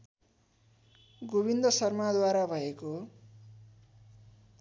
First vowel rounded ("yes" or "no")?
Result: yes